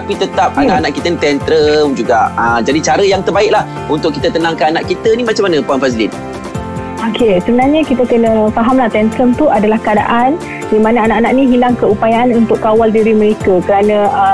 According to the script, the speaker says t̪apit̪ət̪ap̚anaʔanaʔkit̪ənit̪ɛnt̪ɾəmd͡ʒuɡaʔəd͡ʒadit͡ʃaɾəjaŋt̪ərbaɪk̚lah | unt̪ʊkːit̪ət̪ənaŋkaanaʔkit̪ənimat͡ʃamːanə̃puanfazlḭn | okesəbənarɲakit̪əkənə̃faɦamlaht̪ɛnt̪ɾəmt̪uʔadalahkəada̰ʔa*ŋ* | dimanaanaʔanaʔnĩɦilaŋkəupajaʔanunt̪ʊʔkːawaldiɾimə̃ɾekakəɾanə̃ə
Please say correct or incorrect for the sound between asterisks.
incorrect